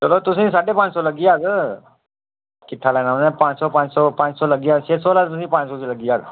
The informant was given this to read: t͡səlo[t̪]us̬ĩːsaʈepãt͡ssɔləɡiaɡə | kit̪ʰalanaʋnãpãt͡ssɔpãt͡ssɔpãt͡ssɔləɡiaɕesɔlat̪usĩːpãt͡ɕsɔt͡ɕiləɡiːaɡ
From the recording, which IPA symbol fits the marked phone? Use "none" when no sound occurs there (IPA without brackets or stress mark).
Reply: t̪